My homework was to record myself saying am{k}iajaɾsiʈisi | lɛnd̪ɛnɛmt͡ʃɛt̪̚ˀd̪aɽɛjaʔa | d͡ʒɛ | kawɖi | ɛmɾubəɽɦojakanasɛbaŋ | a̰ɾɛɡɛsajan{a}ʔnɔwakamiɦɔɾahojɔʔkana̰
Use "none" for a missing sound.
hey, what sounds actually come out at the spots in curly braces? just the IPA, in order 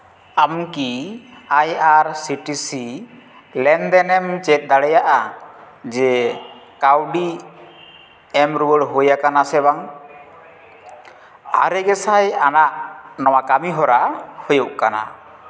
k, a

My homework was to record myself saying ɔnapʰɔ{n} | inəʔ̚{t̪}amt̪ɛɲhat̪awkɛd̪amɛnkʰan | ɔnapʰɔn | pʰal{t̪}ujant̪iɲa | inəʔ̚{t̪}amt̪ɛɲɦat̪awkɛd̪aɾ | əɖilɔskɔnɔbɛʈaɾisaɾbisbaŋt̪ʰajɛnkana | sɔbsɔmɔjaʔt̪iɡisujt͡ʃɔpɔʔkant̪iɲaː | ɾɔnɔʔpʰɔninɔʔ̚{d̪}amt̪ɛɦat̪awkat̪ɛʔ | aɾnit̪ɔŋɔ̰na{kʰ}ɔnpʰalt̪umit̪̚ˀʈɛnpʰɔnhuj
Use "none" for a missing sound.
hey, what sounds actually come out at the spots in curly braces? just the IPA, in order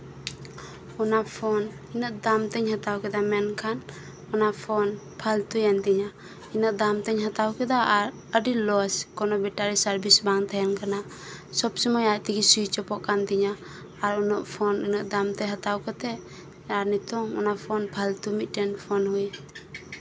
n, d̪, t̪, d̪, d̪, pʰ

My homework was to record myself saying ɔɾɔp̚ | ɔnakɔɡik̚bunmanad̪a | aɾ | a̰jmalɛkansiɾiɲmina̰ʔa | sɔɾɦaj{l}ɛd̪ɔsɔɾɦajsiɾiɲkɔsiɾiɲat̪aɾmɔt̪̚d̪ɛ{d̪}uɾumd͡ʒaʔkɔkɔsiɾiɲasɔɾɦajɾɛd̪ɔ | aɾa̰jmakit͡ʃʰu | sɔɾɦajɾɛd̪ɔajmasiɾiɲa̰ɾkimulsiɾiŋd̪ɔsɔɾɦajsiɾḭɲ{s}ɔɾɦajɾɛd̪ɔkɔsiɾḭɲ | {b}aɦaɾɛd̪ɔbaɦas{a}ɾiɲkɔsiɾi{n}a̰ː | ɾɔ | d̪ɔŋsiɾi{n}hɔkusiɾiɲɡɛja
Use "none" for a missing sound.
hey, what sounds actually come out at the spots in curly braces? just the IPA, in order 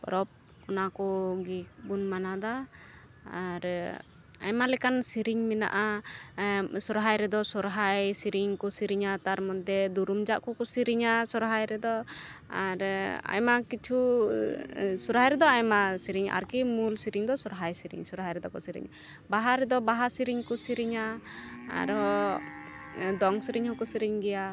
ɾ, d̪, s, b, i, ɲ, ɲ

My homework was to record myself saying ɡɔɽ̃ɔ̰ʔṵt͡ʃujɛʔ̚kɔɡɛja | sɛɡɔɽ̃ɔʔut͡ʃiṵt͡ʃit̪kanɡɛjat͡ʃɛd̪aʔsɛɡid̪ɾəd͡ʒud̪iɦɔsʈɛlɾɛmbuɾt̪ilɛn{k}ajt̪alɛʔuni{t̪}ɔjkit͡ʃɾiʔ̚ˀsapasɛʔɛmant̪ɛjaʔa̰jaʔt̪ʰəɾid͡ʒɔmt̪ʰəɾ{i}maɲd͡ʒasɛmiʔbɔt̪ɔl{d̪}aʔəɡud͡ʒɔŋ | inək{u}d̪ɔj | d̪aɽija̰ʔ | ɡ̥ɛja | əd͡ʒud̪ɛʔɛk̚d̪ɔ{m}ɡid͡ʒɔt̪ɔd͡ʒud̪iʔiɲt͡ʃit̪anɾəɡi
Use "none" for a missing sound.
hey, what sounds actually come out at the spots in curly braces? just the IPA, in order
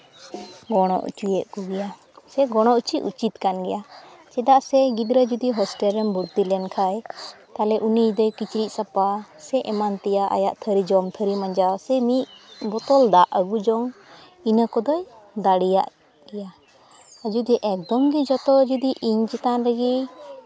kʰ, d̪, i, d̪, ɔ, m

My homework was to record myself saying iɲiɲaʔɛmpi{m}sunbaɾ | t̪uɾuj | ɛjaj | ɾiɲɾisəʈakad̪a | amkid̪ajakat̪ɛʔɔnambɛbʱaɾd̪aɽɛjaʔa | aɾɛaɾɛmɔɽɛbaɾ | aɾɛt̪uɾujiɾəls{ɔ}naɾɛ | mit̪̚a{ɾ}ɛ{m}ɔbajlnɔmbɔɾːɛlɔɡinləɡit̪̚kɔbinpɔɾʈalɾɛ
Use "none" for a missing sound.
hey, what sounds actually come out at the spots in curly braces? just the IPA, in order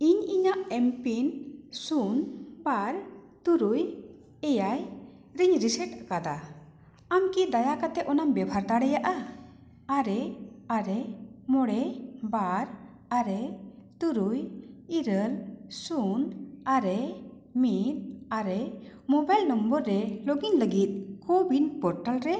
n, u, ɾ, m

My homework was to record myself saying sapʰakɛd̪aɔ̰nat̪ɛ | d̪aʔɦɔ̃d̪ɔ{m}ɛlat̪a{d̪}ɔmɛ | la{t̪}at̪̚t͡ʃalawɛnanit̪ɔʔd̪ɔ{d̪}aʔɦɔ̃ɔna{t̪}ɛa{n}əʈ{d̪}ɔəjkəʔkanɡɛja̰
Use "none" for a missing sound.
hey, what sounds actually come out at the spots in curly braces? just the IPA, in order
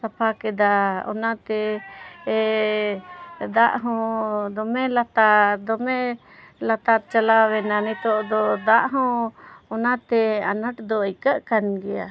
m, d̪, t̪, d̪, t̪, n, d̪

